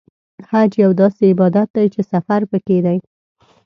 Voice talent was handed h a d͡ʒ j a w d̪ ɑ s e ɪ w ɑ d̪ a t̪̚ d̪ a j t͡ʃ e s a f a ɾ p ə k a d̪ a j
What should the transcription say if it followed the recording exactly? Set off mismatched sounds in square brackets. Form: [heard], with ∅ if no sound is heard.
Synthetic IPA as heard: h a d͡ʒ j a w d̪ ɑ s e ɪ [b] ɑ d̪ a t̪̚ d̪ a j t͡ʃ e s a f a ɾ p ə k [e] d̪ a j

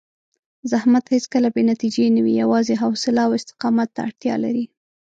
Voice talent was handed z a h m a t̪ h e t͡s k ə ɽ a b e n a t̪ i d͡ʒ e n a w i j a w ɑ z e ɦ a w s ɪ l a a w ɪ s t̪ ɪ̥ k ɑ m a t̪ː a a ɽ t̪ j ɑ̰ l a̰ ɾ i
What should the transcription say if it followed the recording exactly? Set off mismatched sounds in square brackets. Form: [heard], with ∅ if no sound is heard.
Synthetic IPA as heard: z a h m a t̪ h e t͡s k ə [l] a b e n a t̪ i d͡ʒ e n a w i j a w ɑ z e ɦ a w s ɪ l a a w ɪ s t̪ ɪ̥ [q] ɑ m a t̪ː a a ɽ t̪ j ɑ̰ l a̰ ɾ i

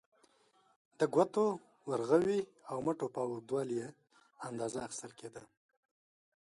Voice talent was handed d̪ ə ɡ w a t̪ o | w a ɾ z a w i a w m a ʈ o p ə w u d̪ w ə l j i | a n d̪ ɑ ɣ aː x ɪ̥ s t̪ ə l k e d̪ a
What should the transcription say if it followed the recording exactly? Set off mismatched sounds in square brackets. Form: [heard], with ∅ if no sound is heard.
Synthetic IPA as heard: d̪ ə ɡ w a t̪ o | w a ɾ [ɣ] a w i a w m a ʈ o p [ɑ] w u d̪ w [ɑ] l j [e] | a n d̪ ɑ [z] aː x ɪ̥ s t̪ ə l k e d̪ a

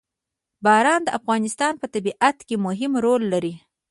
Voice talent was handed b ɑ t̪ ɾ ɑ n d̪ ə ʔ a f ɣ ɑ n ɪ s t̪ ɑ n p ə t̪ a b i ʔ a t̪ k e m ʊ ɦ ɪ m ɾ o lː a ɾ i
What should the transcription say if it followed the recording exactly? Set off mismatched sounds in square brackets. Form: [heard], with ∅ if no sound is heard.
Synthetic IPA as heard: b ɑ [∅] ɾ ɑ n d̪ ə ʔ a f ɣ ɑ n ɪ s t̪ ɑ n p ə t̪ a b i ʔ a t̪ k e m ʊ ɦ ɪ m ɾ o lː a ɾ i

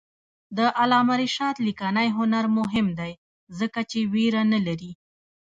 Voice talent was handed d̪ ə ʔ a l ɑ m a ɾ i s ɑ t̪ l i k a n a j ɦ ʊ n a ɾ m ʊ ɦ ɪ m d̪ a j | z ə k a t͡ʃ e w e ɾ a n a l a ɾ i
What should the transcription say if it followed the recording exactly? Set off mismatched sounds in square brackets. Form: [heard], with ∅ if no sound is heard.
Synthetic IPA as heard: d̪ ə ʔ a l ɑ m a ɾ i [ʃ] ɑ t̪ l i k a n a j ɦ ʊ n a ɾ m ʊ ɦ ɪ m d̪ a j | z ə k a t͡ʃ e w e ɾ a n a l a ɾ i

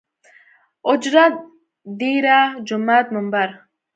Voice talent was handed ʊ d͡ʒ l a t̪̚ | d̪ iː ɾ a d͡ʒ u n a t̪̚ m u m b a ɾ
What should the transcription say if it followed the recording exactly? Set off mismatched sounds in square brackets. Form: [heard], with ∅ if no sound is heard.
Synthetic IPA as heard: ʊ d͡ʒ [ɾ] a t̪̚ | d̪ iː ɾ a d͡ʒ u [m] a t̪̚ m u m b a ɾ

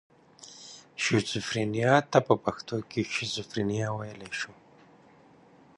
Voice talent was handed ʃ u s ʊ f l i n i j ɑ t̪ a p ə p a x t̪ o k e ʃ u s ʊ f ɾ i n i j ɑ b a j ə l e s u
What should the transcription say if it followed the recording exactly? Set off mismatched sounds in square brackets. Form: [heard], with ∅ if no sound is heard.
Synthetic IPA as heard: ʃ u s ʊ f [ɾ] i n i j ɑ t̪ a p ə p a x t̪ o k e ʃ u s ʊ f ɾ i n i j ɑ [w] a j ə l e [ʃ] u

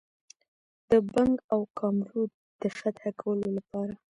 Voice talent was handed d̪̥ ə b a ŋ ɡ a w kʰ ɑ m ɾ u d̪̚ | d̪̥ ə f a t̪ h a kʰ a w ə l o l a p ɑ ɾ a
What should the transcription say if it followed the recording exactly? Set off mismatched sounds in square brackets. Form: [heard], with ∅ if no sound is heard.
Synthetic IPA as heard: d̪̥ ə b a ŋ ɡ a w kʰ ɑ m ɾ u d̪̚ | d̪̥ ə f a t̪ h a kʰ a w ə l o l a p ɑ ɾ a

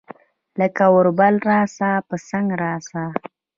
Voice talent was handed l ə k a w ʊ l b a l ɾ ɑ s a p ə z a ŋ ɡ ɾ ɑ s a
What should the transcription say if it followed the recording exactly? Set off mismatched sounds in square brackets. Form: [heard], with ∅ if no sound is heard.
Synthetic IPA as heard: l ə k a w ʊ [ɾ] b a l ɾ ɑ s a p ə [s] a ŋ ɡ ɾ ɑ s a

